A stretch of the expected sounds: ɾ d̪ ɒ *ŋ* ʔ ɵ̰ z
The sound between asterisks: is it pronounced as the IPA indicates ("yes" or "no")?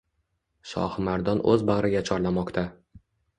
no